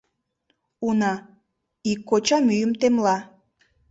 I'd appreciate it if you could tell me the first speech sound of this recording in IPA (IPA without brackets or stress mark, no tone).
u